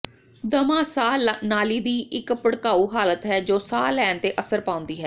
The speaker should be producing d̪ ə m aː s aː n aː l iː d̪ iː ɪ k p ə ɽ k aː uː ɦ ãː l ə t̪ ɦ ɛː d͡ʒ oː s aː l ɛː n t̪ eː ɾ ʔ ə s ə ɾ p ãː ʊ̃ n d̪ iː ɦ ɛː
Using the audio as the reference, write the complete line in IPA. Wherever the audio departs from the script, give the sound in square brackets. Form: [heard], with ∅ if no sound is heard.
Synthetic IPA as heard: d̪ ə m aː s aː n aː l iː d̪ iː ɪ k p ə ɽ k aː uː ɦ [aː] l ə t̪ ɦ ɛː d͡ʒ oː s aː l ɛː n t̪ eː [∅] ʔ ə s ə ɾ p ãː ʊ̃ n d̪ iː ɦ ɛː